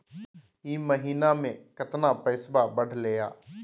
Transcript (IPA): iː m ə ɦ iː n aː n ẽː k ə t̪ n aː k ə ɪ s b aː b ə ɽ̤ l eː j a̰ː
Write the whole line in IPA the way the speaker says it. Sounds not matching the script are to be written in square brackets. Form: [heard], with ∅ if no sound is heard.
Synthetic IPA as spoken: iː m ə ɦ iː n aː [m] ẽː k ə t̪ n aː [p] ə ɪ s b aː b ə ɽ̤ l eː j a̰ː